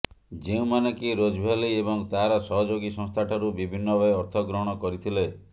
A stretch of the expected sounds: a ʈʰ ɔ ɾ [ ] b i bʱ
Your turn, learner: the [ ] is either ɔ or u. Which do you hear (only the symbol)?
u